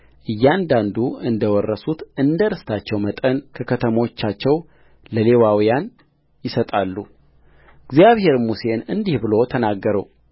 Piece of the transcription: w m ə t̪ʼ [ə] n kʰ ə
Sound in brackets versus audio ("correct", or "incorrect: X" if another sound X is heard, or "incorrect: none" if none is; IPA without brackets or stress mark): correct